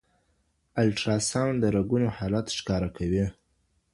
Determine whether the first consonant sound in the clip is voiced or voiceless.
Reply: voiced